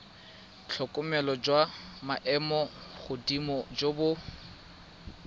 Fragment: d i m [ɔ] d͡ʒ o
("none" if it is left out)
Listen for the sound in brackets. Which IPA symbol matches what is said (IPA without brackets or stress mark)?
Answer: ɔ